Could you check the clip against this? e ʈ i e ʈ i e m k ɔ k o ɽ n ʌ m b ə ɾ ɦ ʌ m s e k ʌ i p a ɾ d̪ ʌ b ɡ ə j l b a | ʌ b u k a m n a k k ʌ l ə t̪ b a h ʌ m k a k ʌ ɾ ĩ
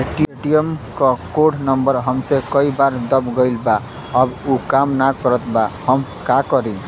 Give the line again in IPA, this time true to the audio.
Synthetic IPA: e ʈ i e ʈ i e m k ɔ k o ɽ n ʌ m b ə ɾ ɦ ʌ m s e k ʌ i b a ɾ d̪ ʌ b ɡ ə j l b a | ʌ b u k a m n a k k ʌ ɾ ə t̪ b a h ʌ m k a k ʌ ɾ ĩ